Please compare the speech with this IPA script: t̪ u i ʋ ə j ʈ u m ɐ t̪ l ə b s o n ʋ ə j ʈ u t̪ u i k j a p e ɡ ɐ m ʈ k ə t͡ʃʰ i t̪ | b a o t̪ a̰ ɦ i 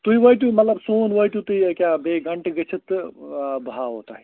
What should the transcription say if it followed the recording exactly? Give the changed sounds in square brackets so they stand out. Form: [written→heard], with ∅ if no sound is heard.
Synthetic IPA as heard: t̪ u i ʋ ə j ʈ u m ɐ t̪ l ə b s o n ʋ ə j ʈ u t̪ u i k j a [p→b] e ɡ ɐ [m→ɳ] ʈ [k→ɡ] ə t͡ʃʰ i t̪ | b a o t̪ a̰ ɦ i